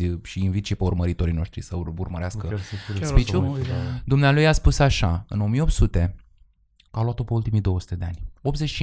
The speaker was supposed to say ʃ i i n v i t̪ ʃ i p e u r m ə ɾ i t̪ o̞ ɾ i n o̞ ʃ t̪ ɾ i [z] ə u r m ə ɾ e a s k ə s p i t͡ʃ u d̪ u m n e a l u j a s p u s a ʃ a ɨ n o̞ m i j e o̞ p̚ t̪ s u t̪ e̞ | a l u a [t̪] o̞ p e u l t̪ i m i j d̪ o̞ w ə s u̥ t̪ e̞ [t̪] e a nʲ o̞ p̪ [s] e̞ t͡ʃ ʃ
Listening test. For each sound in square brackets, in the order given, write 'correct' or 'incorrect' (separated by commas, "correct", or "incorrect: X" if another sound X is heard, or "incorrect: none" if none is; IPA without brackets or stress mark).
incorrect: s, correct, incorrect: d̪, incorrect: z